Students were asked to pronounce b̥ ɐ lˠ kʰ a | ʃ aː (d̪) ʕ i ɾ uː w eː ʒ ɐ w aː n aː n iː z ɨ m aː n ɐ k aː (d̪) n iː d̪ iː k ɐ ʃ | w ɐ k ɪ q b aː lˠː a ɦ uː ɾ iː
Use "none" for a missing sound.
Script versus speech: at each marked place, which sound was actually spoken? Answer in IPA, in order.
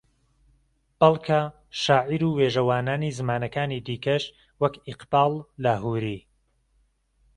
none, none

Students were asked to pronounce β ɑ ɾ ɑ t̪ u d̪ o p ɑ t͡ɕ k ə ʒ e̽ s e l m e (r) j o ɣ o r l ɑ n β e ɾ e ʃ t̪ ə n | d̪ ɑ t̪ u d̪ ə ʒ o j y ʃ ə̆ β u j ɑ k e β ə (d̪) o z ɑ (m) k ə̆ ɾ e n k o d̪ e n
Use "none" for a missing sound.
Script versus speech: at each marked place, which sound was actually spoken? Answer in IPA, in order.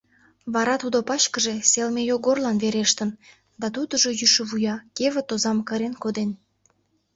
none, t̪, m

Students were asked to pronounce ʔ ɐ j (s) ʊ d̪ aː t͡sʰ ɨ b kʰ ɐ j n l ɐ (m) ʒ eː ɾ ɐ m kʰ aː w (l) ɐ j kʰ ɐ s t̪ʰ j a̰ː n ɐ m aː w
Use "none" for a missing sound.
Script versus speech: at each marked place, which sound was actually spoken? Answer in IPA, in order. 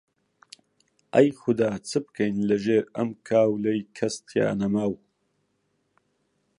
x, none, l

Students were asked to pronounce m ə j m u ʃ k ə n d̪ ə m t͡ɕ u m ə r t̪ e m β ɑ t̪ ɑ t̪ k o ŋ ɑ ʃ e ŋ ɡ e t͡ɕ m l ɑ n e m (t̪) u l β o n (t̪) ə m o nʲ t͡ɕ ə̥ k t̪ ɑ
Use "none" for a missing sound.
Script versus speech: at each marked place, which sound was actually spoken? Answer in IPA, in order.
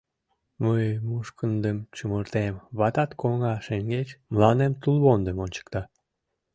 t̪, d̪

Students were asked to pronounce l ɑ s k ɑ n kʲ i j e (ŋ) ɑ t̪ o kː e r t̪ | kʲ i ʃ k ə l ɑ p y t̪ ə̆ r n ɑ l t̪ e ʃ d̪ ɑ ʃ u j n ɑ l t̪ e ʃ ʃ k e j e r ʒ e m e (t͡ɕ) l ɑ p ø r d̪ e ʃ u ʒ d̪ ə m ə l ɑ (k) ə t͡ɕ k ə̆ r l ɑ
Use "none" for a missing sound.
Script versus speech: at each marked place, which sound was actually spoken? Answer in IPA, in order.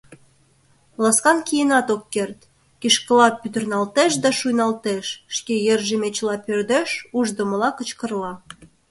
n, t͡ɕ, k

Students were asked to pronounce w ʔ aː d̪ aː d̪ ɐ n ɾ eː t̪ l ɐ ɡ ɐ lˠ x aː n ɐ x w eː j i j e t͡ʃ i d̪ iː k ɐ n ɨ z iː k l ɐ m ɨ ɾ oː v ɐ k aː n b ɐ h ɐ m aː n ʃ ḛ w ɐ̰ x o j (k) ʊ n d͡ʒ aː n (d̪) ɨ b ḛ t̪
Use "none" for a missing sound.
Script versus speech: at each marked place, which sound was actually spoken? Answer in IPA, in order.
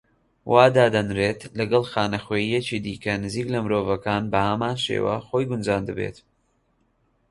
ɡ, d̪

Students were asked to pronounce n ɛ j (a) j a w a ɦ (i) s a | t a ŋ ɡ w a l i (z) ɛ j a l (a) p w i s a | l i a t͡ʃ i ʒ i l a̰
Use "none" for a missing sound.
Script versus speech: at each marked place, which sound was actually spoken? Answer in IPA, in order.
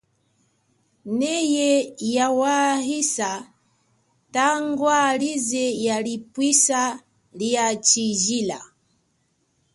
ɛ, i, z, i

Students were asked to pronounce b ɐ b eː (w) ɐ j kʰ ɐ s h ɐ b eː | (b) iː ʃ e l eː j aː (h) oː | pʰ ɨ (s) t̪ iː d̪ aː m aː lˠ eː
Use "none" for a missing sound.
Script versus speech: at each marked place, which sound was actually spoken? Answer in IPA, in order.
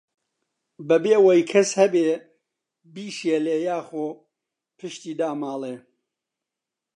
w, b, x, ʃ

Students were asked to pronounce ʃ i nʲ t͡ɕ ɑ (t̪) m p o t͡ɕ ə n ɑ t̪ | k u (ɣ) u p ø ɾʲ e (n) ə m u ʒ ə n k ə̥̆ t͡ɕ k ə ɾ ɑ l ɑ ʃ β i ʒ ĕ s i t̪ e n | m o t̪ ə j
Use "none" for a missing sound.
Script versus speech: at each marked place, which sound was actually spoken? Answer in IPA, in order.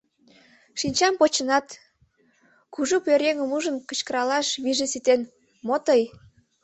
none, ʒ, ŋ

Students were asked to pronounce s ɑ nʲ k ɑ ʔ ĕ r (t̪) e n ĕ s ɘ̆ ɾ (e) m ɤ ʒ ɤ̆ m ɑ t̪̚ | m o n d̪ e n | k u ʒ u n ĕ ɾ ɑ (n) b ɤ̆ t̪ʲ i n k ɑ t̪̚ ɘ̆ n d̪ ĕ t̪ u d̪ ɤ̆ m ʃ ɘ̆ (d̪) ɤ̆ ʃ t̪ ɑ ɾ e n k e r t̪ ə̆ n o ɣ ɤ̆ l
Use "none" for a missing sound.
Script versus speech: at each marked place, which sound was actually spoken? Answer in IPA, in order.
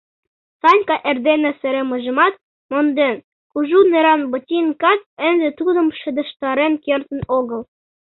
d̪, e, n, d̪

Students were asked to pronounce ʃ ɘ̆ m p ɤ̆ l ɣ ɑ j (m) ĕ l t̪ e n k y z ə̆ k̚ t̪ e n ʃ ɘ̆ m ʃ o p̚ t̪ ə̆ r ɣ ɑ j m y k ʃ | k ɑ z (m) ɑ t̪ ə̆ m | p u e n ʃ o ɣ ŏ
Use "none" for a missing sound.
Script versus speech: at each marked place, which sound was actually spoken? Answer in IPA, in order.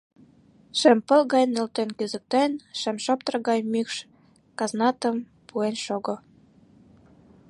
n, n

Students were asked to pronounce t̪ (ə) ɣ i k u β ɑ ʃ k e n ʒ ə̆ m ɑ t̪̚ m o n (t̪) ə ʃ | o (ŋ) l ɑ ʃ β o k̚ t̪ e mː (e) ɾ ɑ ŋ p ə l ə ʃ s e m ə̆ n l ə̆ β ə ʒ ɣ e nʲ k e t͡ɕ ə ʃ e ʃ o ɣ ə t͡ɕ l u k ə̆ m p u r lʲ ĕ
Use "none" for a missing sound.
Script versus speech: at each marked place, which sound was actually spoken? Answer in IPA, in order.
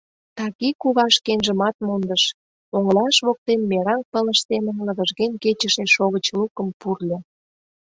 ɑ, d̪, ŋ, e

